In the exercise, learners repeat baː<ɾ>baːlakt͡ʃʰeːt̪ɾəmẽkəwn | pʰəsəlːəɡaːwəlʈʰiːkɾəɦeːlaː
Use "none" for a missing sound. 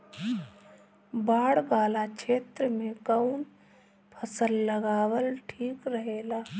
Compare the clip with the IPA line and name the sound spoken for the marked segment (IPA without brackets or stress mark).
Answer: ɽ